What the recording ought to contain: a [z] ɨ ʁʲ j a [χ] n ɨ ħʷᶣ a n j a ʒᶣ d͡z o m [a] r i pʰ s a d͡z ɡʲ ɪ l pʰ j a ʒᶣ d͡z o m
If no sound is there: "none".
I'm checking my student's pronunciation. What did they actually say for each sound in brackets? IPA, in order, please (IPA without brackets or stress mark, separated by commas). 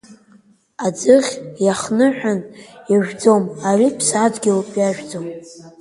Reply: d͡z, χ, a